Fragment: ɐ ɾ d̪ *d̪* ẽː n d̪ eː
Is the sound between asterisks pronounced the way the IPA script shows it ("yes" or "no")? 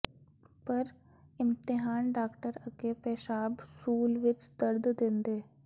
yes